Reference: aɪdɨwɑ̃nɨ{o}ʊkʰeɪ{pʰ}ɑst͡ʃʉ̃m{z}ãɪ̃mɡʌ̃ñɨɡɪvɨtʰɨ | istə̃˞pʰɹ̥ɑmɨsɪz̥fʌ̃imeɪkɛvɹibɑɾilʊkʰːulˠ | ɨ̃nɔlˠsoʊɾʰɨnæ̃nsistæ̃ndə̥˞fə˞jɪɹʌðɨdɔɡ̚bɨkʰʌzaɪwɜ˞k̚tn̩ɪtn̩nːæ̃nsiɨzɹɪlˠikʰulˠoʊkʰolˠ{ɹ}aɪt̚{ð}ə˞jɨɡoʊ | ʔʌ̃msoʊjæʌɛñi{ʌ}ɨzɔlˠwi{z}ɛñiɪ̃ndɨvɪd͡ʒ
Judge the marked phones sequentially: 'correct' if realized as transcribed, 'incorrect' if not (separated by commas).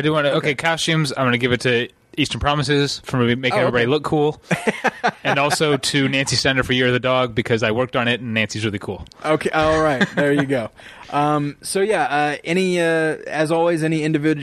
correct, incorrect, correct, correct, correct, correct, correct